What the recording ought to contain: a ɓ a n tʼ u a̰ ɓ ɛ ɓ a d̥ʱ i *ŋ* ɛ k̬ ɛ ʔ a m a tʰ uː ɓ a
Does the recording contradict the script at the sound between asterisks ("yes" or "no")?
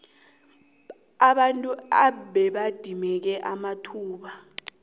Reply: yes